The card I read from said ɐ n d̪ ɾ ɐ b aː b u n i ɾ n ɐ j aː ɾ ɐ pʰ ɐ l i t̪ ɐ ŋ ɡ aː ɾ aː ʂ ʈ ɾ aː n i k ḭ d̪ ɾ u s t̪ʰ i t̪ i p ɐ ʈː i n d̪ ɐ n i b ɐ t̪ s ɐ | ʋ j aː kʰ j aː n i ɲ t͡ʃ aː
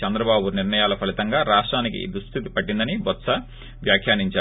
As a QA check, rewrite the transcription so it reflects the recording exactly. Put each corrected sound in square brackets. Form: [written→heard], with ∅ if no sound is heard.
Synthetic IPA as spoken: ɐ n d̪ ɾ ɐ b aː b u n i ɾ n ɐ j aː [ɾ→l] ɐ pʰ ɐ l i t̪ ɐ ŋ ɡ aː ɾ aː ʂ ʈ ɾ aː n i k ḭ d̪ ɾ u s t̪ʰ i t̪ i p ɐ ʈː i n d̪ ɐ n i b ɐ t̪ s ɐ | ʋ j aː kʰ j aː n i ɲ t͡ʃ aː

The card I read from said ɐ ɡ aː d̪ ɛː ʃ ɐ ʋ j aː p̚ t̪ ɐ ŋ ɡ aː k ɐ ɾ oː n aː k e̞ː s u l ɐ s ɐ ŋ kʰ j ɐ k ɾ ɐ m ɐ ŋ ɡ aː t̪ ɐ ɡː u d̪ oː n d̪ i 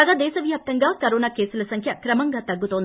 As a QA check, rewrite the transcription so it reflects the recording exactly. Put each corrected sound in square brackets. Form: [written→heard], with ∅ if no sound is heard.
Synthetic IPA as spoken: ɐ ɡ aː d̪ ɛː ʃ ɐ ʋ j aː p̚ t̪ ɐ ŋ ɡ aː k ɐ ɾ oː n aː k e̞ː s u l ɐ s ɐ ŋ kʰ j ɐ k ɾ ɐ m ɐ ŋ ɡ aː t̪ ɐ ɡː u [d̪→t̪] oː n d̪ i

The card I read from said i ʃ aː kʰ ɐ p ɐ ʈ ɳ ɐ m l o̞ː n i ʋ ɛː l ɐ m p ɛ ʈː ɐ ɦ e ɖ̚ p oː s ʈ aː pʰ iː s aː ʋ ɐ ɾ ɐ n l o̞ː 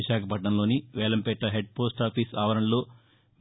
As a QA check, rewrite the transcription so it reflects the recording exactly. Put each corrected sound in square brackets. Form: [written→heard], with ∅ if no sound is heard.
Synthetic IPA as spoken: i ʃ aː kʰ ɐ p ɐ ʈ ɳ ɐ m l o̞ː n i ʋ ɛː l ɐ m p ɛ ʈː ɐ ɦ e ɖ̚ p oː s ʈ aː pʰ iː s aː ʋ ɐ ɾ ɐ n l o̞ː

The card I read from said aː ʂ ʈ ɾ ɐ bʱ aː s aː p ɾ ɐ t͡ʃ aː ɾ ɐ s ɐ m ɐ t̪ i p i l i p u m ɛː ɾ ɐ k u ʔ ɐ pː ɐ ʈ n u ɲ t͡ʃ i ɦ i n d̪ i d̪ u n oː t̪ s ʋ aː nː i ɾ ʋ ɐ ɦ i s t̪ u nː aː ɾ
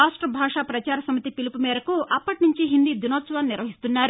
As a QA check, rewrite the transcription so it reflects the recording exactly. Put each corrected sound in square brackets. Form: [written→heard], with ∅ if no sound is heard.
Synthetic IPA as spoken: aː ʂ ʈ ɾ ɐ bʱ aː [s→ʂ] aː p ɾ ɐ t͡ʃ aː ɾ ɐ s ɐ m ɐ t̪ i p i l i p u m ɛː ɾ ɐ k u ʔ ɐ pː ɐ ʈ n u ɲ t͡ʃ i ɦ i n d̪ i d̪ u n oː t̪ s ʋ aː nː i ɾ ʋ ɐ ɦ i s t̪ u nː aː ɾ

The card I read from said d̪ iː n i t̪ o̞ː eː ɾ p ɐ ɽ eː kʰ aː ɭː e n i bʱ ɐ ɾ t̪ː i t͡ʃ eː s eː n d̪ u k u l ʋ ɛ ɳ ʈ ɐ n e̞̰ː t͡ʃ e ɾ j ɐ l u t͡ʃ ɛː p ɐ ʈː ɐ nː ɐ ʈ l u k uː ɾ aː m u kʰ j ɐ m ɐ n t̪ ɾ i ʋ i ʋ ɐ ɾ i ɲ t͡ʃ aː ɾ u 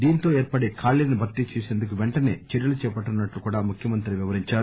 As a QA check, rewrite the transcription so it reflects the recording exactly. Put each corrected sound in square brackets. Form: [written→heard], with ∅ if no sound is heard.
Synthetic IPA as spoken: d̪ iː n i t̪ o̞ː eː ɾ p ɐ ɽ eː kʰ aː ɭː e n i bʱ ɐ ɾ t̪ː i t͡ʃ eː s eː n d̪ u k u [l→∅] ʋ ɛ ɳ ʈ ɐ n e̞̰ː t͡ʃ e ɾ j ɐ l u t͡ʃ ɛː p ɐ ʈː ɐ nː ɐ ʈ l u k uː [ɾ→ɽ] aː m u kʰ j ɐ m ɐ n t̪ ɾ i ʋ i ʋ ɐ ɾ i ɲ t͡ʃ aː ɾ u

